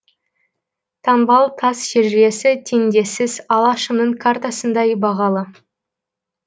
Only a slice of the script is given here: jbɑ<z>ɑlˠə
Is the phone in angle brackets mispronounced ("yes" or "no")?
yes